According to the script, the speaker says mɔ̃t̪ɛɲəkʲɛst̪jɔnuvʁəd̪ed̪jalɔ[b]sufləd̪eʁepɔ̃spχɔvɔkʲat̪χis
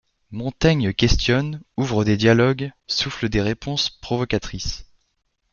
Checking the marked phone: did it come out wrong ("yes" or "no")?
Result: yes